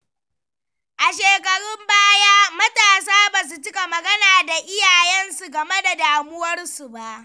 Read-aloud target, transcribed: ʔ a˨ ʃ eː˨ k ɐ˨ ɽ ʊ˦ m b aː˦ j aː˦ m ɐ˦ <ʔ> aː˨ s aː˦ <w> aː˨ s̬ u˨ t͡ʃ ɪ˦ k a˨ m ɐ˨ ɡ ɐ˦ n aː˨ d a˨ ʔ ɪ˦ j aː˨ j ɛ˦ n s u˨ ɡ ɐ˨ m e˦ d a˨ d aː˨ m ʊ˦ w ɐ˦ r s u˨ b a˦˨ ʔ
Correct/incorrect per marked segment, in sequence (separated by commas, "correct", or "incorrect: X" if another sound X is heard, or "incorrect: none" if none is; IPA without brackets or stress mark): incorrect: t, incorrect: b